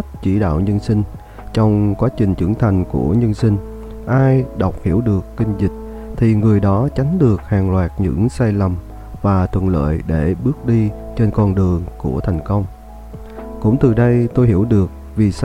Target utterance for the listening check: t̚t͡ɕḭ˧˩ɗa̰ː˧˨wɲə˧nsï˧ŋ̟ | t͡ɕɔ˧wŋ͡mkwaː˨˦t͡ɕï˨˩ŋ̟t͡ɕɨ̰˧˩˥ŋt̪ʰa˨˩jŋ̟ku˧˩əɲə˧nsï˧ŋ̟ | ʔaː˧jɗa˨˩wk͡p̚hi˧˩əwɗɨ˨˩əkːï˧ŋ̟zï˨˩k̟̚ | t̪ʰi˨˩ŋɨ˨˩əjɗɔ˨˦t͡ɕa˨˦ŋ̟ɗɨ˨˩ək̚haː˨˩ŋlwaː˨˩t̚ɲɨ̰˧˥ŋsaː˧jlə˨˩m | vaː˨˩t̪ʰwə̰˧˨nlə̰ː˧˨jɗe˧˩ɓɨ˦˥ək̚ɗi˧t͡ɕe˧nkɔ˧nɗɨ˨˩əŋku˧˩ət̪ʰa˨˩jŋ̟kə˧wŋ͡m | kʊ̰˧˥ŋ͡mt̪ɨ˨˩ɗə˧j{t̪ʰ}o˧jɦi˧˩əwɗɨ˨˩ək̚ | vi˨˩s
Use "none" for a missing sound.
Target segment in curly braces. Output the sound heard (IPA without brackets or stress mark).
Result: t̪